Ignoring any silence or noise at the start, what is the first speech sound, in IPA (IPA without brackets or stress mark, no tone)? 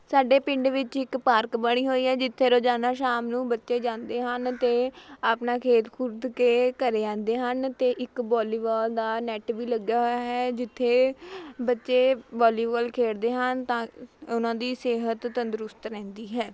s